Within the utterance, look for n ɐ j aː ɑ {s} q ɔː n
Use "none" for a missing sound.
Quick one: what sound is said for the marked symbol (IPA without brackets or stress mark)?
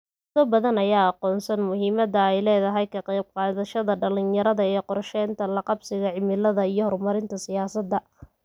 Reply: none